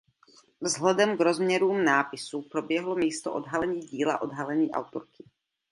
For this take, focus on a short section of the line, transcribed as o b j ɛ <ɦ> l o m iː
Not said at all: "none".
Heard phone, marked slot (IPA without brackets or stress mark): ɦ